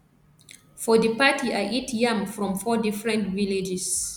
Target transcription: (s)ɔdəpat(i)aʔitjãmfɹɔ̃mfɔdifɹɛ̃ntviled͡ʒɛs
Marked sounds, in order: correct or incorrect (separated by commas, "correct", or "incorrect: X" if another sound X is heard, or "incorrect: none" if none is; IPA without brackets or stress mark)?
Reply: incorrect: f, correct